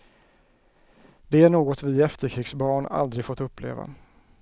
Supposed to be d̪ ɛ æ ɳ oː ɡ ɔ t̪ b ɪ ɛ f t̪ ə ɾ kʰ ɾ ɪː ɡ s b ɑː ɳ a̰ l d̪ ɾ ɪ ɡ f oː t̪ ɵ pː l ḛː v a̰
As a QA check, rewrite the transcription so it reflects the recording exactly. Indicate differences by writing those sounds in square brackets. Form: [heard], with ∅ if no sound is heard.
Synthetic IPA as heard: d̪ ɛ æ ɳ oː ɡ ɔ t̪ [v] ɪ ɛ f t̪ ə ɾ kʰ ɾ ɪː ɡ s b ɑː ɳ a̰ l d̪ ɾ ɪ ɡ f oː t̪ ɵ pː l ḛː v a̰